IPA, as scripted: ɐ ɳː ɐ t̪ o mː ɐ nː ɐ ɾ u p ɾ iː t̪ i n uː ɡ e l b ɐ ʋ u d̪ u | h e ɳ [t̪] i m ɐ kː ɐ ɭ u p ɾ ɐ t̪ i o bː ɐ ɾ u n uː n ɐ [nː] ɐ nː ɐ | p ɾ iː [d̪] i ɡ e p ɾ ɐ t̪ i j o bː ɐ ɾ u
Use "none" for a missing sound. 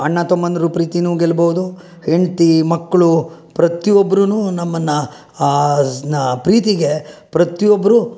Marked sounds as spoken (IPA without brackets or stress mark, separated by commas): t̪, mː, t̪